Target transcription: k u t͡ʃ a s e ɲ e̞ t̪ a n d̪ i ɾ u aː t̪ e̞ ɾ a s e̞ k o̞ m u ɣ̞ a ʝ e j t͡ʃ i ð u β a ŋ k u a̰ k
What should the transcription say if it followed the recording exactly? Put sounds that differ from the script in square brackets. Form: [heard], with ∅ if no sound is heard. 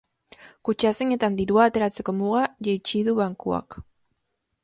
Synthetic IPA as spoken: k u t͡ʃ a s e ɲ e̞ t̪ a n d̪ i ɾ u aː t̪ e̞ ɾ a [t͡s] e̞ k o̞ m u ɣ̞ a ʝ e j t͡ʃ i ð u β a ŋ k u a̰ k